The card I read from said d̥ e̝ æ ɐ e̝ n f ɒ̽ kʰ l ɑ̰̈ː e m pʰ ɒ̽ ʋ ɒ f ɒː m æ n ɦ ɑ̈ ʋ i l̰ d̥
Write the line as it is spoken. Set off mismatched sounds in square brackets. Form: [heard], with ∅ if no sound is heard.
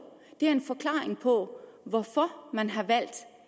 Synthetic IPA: d̥ e̝ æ ɐ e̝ n f ɒ̽ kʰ l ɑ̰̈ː e [ŋ] pʰ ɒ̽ ʋ ɒ f [ɒ] m æ n ɦ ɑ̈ ʋ [æ] l̰ d̥